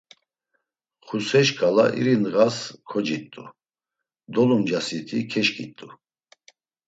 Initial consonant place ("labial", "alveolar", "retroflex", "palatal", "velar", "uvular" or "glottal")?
uvular